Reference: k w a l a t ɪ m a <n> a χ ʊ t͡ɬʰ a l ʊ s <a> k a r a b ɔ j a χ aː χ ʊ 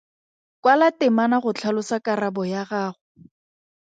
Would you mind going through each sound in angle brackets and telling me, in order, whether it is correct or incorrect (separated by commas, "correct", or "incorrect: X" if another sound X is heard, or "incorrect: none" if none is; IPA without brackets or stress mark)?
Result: correct, correct